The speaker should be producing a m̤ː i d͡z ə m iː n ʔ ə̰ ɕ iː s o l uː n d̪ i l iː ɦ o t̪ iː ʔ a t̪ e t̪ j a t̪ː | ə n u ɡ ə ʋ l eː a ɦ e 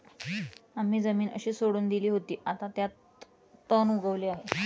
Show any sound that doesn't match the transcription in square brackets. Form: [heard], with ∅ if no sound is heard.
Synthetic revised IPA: a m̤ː [iː] d͡z ə m iː n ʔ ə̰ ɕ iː s o [ɽ] uː n d̪ i l iː ɦ o t̪ iː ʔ a t̪ [a] t̪ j a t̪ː | ə n u ɡ ə ʋ l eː a ɦ e